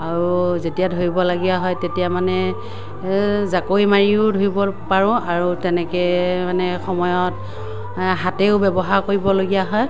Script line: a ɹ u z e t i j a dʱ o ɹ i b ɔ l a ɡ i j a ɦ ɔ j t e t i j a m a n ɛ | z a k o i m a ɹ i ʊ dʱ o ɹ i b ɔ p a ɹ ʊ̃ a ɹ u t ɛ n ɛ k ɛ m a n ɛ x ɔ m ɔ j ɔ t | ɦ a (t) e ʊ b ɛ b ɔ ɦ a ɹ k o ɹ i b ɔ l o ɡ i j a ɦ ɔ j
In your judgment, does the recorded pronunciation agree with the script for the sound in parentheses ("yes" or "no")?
yes